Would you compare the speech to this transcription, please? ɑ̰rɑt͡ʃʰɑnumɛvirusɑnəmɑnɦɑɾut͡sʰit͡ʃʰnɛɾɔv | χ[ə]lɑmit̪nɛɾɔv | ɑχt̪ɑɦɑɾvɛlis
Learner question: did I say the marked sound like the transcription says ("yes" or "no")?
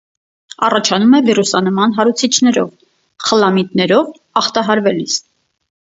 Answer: yes